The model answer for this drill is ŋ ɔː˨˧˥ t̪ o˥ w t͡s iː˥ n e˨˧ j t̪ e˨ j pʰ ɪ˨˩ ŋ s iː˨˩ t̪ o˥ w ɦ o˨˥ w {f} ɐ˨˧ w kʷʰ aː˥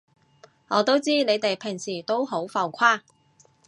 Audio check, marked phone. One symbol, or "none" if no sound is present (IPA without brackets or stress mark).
f